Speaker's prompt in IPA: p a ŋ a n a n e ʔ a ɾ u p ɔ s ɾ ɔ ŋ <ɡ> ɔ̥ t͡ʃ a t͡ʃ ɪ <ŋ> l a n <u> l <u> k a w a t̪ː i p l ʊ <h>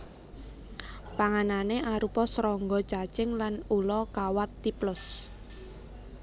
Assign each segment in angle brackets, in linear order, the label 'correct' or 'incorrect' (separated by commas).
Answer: correct, correct, correct, incorrect, incorrect